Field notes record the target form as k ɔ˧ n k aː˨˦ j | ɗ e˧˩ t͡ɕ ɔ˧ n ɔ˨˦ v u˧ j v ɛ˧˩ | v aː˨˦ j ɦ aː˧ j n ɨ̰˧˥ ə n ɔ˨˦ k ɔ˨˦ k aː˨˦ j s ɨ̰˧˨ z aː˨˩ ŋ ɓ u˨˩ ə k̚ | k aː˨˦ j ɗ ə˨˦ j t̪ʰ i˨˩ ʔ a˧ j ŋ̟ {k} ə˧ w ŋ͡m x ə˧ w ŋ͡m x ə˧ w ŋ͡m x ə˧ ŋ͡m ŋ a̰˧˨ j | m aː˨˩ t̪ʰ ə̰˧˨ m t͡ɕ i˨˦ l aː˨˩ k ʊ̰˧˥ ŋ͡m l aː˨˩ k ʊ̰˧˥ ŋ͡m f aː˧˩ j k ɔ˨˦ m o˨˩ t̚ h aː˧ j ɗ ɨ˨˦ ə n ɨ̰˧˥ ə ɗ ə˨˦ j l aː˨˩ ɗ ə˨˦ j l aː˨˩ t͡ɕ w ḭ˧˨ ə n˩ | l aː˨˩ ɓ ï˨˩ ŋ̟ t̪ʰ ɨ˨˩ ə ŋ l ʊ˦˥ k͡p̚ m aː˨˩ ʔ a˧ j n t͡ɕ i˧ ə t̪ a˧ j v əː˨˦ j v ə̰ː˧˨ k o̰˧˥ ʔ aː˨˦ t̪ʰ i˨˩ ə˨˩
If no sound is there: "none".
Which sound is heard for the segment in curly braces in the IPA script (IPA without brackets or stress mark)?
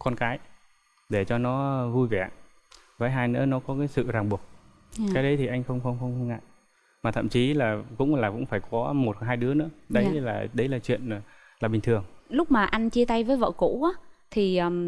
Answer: x